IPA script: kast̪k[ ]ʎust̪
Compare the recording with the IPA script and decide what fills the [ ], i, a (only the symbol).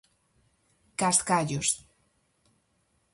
a